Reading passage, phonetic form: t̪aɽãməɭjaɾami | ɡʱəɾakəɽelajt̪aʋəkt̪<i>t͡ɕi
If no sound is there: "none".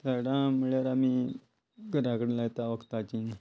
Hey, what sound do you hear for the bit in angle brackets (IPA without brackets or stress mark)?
a